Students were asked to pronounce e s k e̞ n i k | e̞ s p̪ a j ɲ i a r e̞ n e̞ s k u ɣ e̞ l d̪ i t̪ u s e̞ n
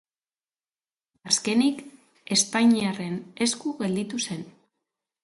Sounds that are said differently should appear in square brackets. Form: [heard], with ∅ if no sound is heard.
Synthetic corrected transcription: [a] s k e̞ n i k | e̞ s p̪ a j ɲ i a r e̞ n e̞ s k u ɣ e̞ l d̪ i t̪ u s e̞ n